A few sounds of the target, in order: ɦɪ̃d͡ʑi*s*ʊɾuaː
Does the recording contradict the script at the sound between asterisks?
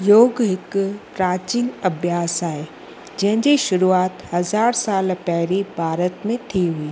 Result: yes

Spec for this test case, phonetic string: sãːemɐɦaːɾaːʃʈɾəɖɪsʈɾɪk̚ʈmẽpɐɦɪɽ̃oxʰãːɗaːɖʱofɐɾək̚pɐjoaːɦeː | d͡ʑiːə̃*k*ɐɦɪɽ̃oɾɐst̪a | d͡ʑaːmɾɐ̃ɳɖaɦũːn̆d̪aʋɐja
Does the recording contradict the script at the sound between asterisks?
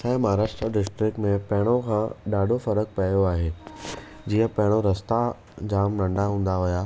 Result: yes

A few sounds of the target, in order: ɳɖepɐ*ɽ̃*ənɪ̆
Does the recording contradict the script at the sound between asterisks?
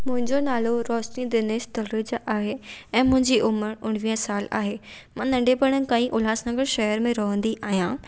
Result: no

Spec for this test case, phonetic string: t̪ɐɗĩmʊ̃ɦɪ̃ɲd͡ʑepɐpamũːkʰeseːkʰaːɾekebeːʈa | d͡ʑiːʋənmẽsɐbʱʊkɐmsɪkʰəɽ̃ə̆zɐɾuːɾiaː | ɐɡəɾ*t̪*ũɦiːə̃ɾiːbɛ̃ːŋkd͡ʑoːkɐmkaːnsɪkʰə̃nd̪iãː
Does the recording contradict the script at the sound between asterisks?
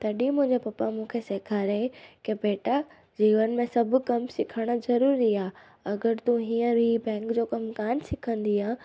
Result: no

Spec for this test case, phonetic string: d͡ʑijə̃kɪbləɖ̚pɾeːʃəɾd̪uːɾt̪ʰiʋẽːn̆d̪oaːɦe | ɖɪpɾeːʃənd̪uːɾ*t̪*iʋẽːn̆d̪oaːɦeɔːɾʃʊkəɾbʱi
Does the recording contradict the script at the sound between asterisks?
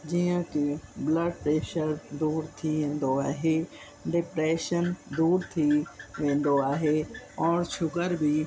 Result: yes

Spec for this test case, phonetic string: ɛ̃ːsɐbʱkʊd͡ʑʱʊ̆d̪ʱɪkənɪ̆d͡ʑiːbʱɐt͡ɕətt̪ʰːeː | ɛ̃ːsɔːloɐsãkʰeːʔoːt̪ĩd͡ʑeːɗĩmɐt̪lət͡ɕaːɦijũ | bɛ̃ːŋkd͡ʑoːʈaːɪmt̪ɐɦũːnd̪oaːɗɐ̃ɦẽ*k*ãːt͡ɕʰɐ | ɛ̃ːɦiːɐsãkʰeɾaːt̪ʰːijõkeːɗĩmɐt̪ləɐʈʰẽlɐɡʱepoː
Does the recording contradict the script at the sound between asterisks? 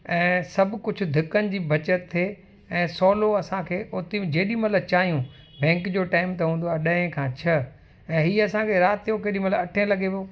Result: yes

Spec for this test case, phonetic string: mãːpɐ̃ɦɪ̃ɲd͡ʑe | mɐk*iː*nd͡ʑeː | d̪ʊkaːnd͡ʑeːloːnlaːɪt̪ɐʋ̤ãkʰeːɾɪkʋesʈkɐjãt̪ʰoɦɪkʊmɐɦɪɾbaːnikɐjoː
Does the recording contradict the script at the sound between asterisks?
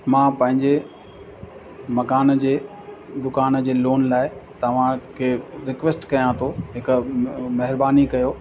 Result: yes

